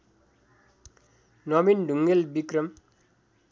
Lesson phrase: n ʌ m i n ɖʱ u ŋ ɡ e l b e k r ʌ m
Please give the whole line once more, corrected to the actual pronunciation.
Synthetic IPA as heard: n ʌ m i n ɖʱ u ŋ ɡ e l b i k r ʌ m